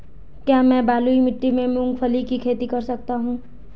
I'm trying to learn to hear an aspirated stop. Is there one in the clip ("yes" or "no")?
yes